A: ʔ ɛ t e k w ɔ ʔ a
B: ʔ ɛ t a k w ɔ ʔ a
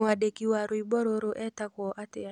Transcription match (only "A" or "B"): B